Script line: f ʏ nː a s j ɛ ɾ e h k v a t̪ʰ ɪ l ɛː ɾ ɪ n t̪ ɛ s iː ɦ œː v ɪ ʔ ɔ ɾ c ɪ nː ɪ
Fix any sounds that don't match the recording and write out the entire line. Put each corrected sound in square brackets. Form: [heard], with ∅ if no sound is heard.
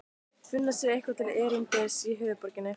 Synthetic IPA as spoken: f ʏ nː a s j ɛ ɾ e h k v a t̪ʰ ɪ l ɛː ɾ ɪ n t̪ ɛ s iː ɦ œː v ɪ [p] ɔ ɾ c ɪ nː ɪ